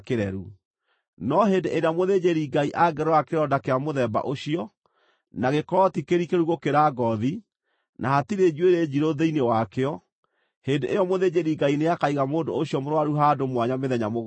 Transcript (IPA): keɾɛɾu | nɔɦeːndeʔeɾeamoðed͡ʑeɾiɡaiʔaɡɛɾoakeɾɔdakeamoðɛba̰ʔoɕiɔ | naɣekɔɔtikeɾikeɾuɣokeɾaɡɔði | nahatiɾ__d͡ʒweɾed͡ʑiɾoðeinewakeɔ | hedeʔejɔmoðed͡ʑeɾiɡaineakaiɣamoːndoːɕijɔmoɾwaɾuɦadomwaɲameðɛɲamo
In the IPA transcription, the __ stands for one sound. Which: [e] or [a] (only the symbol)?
e